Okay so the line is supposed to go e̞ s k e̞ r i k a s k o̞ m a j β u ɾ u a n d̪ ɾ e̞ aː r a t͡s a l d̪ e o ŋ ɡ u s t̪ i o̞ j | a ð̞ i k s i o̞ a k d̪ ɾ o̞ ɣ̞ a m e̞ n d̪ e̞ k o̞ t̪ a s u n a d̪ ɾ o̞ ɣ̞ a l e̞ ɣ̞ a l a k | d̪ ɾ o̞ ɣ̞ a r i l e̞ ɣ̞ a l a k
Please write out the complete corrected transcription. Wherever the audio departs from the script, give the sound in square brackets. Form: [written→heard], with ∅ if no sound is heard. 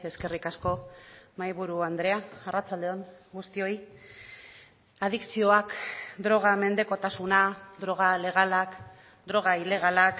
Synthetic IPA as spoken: e̞ s k e̞ r i k a s k o̞ m a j β u ɾ u a n d̪ ɾ e̞ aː r a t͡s a l d̪ e o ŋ ɡ u s t̪ i o̞ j | a ð̞ i k s i o̞ a k d̪ ɾ o̞ ɣ̞ a m e̞ n d̪ e̞ k o̞ t̪ a s u n a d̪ ɾ o̞ ɣ̞ a l e̞ ɣ̞ a l a k | d̪ ɾ o̞ ɣ̞ a [r→∅] i l e̞ ɣ̞ a l a k